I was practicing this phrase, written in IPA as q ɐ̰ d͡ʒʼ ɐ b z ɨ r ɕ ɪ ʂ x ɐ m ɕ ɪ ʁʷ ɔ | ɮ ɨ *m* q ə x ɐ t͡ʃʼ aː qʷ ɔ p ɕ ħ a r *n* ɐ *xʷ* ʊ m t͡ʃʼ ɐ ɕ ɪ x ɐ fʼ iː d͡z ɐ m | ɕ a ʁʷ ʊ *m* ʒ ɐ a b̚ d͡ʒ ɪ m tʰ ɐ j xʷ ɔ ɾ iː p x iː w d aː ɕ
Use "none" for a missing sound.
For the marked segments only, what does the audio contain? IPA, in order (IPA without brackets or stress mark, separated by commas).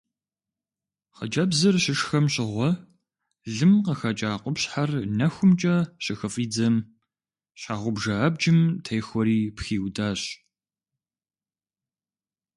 m, n, xʷ, b